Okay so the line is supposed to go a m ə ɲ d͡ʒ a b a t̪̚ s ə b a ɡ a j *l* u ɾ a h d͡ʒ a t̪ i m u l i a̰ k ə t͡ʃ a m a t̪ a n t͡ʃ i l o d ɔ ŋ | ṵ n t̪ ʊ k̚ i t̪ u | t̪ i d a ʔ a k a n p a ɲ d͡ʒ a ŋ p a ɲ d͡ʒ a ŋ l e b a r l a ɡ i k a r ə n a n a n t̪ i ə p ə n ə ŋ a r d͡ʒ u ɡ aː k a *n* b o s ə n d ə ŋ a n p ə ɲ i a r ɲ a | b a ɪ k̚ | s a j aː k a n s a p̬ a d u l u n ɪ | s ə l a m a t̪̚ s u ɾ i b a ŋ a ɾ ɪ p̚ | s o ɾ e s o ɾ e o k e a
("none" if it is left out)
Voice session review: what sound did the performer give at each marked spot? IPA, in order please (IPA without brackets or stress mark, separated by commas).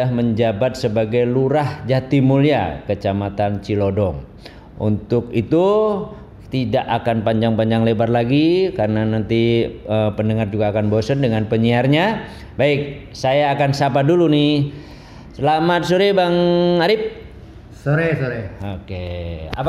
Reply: l, n